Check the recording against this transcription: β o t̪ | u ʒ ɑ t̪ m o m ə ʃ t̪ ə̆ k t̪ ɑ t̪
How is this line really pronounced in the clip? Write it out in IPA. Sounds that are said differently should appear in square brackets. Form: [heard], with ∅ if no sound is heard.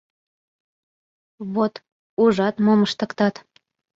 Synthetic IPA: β o t̪ | u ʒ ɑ t̪ m o m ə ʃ t̪ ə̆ k t̪ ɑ t̪

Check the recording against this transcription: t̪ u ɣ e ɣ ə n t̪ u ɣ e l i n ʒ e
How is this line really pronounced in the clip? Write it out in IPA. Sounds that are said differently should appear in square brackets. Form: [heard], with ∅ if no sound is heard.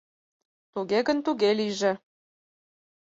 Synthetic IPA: t̪ u ɣ e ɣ ə n t̪ u ɣ e l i [∅] ʒ e

